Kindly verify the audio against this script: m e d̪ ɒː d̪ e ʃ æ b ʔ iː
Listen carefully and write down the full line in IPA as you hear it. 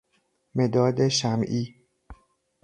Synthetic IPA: m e d̪ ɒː d̪ e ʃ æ m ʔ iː